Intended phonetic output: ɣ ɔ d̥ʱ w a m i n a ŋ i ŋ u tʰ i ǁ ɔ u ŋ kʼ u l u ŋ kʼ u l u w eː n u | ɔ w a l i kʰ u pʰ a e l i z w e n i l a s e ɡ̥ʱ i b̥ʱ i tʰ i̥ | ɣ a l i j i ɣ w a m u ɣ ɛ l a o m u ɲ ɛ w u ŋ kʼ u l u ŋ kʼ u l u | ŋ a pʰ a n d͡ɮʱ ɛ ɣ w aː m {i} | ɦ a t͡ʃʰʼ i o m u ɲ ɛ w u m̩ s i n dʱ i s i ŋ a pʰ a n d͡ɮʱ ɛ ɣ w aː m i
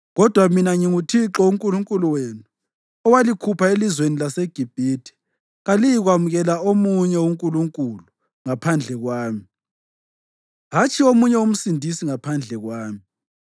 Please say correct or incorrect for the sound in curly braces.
correct